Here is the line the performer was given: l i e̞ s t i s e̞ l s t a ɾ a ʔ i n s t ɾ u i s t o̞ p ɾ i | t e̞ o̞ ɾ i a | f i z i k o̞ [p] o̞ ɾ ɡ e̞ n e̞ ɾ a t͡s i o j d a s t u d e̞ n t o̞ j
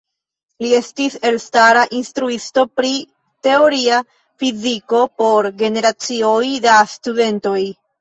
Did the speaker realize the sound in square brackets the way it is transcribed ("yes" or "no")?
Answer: yes